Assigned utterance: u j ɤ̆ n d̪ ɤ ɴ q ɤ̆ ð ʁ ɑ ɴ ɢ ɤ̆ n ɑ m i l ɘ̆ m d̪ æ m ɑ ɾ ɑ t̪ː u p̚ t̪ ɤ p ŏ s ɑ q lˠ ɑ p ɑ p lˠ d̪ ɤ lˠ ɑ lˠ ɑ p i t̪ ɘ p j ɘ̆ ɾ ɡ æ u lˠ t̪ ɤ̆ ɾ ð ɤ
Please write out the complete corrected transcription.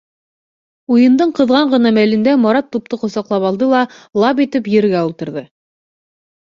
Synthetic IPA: u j ɤ̆ n d̪ ɤ ɴ q ɤ̆ ð ʁ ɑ ɴ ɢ ɤ̆ n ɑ m æ l ɘ̆ n d̪ æ m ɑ ɾ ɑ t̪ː u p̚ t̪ ɤ q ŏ s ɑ q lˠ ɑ p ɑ lˠ d̪ ɤ lˠ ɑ lˠ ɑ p i t̪ ɘ p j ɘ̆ ɾ ɡ æ u lˠ t̪ ɤ̆ ɾ ð ɤ